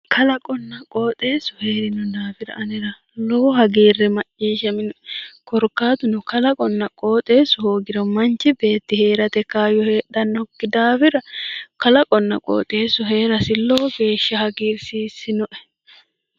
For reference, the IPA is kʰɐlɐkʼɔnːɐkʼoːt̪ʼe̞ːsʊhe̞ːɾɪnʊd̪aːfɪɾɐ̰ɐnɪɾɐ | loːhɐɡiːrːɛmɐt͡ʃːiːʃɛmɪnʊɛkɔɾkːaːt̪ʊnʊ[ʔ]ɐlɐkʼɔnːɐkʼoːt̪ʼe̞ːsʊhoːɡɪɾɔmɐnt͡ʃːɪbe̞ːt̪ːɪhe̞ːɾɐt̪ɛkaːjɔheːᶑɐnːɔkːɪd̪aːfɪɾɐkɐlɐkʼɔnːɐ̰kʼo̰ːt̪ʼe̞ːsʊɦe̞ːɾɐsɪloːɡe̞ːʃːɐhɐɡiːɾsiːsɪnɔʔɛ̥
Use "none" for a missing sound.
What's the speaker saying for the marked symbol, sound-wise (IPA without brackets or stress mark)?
k